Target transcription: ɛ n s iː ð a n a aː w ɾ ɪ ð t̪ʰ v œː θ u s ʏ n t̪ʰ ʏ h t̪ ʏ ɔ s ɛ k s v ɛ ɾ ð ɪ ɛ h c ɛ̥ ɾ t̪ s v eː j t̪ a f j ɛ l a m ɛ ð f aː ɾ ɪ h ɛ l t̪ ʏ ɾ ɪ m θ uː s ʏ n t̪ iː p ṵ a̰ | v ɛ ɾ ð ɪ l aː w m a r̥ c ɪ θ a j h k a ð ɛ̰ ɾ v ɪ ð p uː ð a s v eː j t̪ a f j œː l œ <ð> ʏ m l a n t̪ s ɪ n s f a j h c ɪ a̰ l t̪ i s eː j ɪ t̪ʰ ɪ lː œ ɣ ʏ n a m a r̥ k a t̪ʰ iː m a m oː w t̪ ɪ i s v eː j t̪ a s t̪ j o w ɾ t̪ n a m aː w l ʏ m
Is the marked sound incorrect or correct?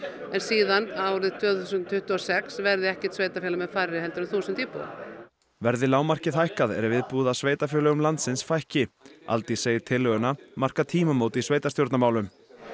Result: incorrect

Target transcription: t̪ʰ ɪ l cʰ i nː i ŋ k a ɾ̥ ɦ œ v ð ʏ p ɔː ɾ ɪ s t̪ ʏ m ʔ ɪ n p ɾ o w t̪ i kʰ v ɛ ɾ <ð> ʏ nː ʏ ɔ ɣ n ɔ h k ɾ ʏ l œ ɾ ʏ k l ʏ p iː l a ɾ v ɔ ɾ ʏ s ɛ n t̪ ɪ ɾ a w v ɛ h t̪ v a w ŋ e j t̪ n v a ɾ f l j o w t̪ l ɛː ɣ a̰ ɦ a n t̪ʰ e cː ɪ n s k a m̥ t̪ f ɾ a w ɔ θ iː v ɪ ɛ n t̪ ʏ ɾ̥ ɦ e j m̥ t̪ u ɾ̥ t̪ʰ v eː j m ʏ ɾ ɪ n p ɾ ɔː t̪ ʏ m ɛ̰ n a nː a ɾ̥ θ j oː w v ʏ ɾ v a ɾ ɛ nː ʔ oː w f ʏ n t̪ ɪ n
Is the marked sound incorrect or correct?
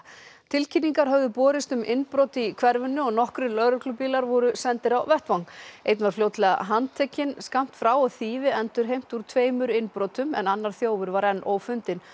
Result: incorrect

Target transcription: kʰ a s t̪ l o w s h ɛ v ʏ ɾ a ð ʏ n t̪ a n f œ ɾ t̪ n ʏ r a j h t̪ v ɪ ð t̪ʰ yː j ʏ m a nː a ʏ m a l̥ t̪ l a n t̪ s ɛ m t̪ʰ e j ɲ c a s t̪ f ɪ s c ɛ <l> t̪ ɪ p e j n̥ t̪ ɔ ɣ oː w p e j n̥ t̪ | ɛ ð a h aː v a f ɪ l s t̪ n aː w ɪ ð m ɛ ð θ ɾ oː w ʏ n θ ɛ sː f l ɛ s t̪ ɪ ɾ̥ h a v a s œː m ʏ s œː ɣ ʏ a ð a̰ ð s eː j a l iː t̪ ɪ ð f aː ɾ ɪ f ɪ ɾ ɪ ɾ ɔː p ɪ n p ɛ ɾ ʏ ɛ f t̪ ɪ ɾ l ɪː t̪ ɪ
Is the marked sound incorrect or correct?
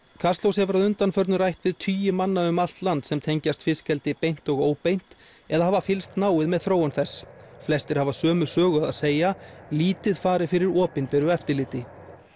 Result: correct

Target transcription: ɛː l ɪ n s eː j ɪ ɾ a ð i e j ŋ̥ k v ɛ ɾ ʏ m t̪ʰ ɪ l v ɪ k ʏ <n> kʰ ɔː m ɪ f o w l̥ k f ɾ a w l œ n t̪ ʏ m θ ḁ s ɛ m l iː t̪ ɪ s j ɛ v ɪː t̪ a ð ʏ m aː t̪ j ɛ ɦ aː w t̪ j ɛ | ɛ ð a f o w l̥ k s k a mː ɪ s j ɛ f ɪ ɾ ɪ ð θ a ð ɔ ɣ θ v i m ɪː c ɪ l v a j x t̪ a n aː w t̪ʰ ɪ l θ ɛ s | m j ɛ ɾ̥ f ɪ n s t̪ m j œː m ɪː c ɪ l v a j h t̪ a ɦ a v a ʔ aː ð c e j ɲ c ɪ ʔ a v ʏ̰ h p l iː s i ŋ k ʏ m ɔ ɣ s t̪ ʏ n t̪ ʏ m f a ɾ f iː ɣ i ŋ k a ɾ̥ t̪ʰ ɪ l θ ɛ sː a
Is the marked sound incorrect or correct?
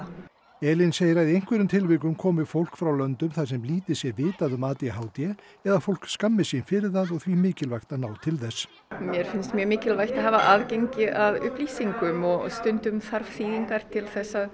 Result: incorrect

